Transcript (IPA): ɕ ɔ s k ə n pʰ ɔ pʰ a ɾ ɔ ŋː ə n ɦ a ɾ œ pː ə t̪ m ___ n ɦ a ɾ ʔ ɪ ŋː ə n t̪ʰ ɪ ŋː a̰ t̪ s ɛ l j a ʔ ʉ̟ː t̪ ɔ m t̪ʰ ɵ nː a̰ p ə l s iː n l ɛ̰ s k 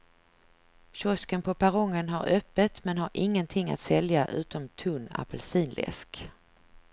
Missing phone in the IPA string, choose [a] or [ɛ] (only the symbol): ɛ